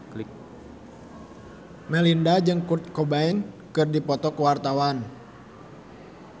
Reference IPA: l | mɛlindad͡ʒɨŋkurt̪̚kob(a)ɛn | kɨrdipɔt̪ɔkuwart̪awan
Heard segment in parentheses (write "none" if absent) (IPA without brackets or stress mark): a